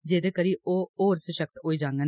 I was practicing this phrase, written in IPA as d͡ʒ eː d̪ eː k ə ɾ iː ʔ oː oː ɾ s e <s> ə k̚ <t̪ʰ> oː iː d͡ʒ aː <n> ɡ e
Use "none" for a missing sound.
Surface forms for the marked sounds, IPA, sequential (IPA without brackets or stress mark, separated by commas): ʃ, t̪, ŋ